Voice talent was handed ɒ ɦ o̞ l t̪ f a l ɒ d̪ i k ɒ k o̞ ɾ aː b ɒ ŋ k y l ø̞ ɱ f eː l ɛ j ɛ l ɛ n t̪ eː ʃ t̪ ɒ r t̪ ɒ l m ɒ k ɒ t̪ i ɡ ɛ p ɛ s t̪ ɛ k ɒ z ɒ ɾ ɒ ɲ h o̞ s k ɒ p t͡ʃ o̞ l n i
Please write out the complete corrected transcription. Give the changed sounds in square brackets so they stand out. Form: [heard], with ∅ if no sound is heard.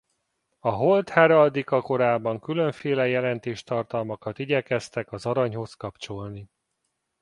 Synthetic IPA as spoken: ɒ ɦ o̞ l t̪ [h] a [ɾ] ɒ d̪ i k ɒ k o̞ ɾ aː b ɒ ŋ k y l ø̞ ɱ f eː l ɛ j ɛ l ɛ n t̪ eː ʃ t̪ ɒ r t̪ ɒ l m ɒ k ɒ t̪ i [ɟ] ɛ [k] ɛ s t̪ ɛ k ɒ z ɒ ɾ ɒ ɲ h o̞ s k ɒ p t͡ʃ o̞ l n i